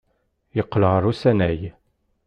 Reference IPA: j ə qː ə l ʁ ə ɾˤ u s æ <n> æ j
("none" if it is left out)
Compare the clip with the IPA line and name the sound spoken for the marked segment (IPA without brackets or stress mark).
n